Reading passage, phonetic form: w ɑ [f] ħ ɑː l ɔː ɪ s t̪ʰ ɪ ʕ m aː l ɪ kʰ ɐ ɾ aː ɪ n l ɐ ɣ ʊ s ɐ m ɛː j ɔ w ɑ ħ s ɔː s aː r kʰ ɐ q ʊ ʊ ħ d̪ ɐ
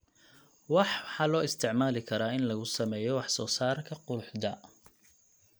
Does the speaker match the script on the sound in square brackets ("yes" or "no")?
no